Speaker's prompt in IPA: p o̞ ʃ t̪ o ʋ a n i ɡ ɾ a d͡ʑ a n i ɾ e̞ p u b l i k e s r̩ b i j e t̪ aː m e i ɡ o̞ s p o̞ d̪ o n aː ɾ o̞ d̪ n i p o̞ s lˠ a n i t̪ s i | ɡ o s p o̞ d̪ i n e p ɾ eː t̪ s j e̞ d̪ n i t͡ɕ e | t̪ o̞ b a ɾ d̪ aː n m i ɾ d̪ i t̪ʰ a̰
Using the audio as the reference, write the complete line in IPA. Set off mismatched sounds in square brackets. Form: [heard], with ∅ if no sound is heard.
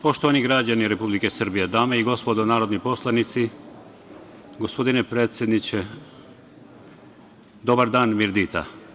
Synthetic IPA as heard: p o̞ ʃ t̪ o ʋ a n i ɡ ɾ a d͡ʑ a n i ɾ e̞ p u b l i k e s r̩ b i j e [d̪] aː m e i ɡ o̞ s p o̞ d̪ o n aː ɾ o̞ d̪ n i p o̞ s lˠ a n i t̪ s i | ɡ o s p o̞ d̪ i n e p ɾ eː t̪ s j e̞ d̪ n i t͡ɕ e | [d̪] o̞ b a ɾ d̪ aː n m i ɾ d̪ i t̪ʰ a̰

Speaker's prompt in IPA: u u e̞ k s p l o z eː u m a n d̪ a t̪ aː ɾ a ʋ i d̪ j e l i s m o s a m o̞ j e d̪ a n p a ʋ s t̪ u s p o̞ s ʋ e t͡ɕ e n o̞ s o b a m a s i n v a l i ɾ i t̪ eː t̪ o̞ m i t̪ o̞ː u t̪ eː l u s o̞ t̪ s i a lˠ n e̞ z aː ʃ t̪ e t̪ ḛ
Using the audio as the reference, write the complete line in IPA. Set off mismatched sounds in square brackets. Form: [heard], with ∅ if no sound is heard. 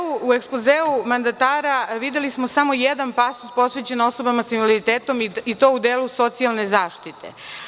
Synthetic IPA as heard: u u e̞ k s p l o z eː u m a n d̪ a t̪ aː ɾ a ʋ i d̪ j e l i s m o s a m o̞ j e d̪ a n p a [∅] s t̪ u s p o̞ s ʋ e t͡ɕ e n o̞ s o b a m a s i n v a l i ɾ i t̪ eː t̪ o̞ m i t̪ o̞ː u [d̪] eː l u s o̞ t̪ s i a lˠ n e̞ z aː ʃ t̪ [i] t̪ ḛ

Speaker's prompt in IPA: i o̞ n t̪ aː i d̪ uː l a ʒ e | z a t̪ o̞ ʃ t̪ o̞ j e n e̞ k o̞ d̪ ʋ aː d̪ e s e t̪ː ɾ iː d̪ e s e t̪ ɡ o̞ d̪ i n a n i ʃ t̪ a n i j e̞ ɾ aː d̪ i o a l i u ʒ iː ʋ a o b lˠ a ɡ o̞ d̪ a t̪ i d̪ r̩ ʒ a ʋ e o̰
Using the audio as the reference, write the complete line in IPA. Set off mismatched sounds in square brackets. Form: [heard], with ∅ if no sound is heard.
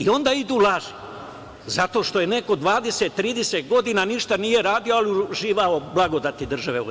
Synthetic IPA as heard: i o̞ n [d̪] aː i d̪ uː l a ʒ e | z a t̪ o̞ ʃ t̪ o̞ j e n e̞ k o̞ d̪ ʋ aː d̪ e s e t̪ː ɾ iː d̪ e s e t̪ ɡ o̞ d̪ i n a n i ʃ t̪ a n i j e̞ ɾ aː d̪ i o a l i u ʒ iː ʋ a o b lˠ a ɡ o̞ d̪ a t̪ i d̪ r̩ ʒ a ʋ e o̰

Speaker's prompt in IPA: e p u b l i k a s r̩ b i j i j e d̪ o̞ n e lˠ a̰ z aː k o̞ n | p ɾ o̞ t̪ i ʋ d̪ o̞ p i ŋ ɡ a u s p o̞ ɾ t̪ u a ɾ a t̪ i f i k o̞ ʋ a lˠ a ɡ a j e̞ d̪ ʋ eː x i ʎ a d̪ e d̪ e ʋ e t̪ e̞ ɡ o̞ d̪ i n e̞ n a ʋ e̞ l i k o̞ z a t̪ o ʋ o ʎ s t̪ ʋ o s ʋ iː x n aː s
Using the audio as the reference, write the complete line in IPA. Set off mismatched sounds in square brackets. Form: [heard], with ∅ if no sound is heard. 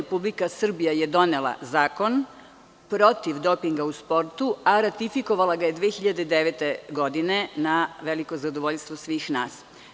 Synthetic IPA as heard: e p u b l i k a s r̩ b i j [a] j e d̪ o̞ n e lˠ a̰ z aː k o̞ n | p ɾ o̞ t̪ i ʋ d̪ o̞ p i ŋ ɡ a u s p o̞ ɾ t̪ u a ɾ a t̪ i f i k o̞ ʋ a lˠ a ɡ a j e̞ d̪ ʋ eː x i ʎ a d̪ e d̪ e ʋ e t̪ e̞ ɡ o̞ d̪ i n e̞ n a ʋ e̞ l i k o̞ z a [d̪] o ʋ o ʎ s t̪ ʋ o s ʋ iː x n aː s

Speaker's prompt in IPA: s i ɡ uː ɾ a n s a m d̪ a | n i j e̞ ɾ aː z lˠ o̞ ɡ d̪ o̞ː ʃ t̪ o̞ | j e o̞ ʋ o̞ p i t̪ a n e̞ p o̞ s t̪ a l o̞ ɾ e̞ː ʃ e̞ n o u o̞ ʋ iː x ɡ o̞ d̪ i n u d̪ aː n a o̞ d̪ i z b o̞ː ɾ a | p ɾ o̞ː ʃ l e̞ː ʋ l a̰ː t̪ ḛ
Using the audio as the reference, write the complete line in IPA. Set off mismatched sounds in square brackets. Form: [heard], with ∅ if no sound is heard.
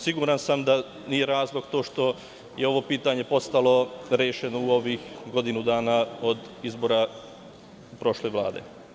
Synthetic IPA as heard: s i ɡ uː ɾ a n s a m d̪ a | n i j e̞ ɾ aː z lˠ o̞ ɡ [t̪] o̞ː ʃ t̪ o̞ | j e o̞ ʋ o̞ p [iː] t̪ a [ɲ] e̞ p o̞ s t̪ a l o̞ ɾ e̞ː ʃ e̞ n o u o̞ ʋ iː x ɡ o̞ d̪ i n u d̪ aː n a o̞ d̪ i z b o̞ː ɾ a | p ɾ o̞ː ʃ l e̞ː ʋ l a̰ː [d̪] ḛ

